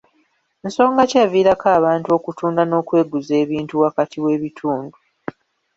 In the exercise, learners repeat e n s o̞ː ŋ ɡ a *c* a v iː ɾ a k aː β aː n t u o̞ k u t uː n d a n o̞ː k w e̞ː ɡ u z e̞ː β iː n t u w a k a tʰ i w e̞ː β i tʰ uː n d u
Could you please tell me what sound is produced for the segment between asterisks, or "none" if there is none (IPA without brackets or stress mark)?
c